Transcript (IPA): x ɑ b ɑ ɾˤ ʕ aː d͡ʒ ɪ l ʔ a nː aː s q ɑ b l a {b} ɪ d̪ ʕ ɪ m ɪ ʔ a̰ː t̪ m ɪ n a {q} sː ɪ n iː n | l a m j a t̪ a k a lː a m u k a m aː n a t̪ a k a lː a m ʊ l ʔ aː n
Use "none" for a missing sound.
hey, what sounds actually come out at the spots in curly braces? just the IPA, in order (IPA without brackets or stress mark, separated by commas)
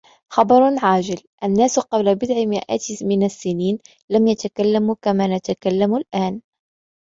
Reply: b, none